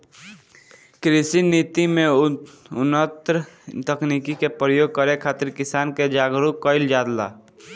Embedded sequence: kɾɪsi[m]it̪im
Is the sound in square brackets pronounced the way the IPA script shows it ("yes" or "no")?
no